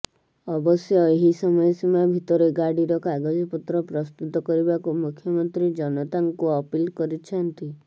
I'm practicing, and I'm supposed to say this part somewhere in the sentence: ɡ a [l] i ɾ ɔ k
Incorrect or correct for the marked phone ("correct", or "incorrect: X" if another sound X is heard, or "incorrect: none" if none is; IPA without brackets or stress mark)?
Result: incorrect: ɽ